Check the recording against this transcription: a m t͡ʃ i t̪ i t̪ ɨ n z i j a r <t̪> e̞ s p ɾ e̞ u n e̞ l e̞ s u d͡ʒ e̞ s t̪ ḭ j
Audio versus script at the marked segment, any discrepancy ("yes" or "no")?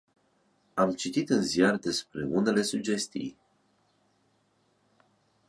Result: yes